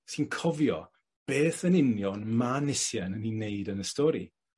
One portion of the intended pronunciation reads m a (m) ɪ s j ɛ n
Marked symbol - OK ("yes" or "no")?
no